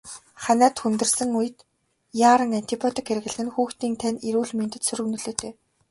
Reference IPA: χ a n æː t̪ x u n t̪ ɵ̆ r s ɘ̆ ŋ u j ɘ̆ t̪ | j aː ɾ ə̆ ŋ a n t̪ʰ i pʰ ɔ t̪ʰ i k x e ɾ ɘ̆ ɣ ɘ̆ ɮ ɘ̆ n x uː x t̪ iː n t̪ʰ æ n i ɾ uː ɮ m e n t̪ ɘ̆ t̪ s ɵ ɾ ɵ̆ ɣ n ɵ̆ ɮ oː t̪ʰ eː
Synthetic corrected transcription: χ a n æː t̪ x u n t̪ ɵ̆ r s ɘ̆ ŋ u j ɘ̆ t̪ | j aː ɾ ə̆ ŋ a n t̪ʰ i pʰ ɔ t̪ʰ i k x e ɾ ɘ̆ ɣ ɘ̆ ɮ ɘ̆ n x uː x t̪ iː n t̪ʰ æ n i ɾ uː ɮ m e n t̪ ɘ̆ t̪ s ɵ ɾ ɵ̆ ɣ n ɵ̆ ɮ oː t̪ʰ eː